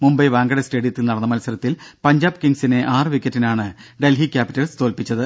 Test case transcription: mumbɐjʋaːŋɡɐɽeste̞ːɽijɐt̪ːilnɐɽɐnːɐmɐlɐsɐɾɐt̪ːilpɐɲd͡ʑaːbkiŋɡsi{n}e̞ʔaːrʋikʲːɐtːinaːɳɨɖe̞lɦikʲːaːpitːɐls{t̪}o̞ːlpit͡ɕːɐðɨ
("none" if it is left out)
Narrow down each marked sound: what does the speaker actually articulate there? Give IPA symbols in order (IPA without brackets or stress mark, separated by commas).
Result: n, t̪